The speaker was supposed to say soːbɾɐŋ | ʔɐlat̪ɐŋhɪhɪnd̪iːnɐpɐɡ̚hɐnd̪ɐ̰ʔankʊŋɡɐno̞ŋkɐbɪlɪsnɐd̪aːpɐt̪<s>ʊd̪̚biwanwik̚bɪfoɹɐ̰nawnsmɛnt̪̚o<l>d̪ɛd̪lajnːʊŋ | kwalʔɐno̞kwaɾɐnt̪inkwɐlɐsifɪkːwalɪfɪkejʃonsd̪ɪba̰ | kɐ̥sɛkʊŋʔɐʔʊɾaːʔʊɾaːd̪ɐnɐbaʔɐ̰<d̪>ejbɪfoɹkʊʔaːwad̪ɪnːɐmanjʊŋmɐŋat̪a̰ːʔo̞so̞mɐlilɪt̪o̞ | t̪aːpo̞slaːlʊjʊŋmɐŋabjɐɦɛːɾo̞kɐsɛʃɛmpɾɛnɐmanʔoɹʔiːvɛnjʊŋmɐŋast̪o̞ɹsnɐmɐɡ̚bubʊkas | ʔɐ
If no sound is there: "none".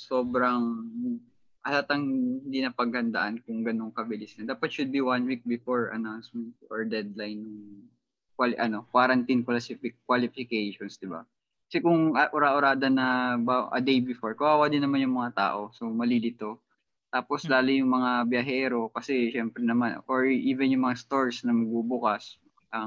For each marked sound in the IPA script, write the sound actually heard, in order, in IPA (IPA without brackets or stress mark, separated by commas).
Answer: ʃ, ɹ, d̪